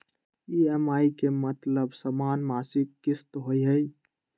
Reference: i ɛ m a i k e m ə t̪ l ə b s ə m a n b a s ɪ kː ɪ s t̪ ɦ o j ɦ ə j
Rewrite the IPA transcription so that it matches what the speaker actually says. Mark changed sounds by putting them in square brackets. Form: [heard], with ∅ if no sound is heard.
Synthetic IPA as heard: i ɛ m a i k e m ə t̪ l ə b s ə m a n [m] a s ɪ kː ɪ s t̪ ɦ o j ɦ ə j

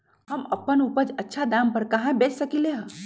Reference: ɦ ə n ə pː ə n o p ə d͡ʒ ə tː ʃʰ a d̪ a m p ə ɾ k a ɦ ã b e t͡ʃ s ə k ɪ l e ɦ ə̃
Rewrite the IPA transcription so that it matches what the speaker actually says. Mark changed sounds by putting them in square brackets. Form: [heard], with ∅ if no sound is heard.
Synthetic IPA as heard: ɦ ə [m] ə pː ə n [u] p ə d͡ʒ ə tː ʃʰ a d̪ a m p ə ɾ k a ɦ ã b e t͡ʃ s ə k [i] l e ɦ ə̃

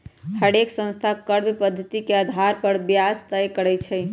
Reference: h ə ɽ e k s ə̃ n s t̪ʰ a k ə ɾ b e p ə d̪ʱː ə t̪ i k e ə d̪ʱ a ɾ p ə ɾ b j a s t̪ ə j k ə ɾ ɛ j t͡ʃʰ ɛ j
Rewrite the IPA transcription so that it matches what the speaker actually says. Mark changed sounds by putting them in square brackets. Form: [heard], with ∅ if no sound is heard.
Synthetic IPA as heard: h ə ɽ e k s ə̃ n s t̪ʰ a k ə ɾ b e p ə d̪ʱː ə t̪ i k e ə d̪ʱ a ɾ p ə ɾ b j a s t̪ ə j k ə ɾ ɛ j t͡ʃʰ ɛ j

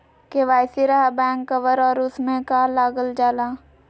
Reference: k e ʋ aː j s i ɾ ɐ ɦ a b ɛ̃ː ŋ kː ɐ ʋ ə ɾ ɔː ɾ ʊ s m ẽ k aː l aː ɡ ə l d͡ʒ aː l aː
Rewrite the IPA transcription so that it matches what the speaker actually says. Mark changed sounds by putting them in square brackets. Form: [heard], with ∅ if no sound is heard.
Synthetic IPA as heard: k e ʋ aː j s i ɾ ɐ ɦ a b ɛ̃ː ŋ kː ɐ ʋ ə ɾ ɔː ɾ ʊ s m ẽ k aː l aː ɡ ə l d͡ʒ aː l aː

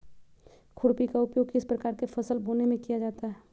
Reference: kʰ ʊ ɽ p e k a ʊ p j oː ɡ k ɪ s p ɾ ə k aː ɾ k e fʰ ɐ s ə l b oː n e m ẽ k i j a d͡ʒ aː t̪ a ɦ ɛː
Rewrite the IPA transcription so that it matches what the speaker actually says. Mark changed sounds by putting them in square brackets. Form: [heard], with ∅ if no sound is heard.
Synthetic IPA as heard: kʰ ʊ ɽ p [i] k a ʊ p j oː ɡ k ɪ s p ɾ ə k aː ɾ k e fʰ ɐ s ə l b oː n e m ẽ k i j a d͡ʒ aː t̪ a ɦ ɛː

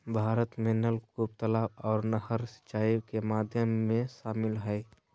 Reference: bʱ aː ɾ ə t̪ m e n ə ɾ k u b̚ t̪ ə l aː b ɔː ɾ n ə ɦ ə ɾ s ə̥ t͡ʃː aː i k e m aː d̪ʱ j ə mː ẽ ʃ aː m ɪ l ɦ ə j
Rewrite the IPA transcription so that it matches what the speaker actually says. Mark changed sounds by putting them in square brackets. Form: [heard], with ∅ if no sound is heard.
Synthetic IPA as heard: bʱ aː ɾ ə t̪ m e n ə [l] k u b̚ t̪ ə l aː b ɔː ɾ n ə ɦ ə ɾ s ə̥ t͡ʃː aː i k e m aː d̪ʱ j ə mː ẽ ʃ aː m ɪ l ɦ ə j

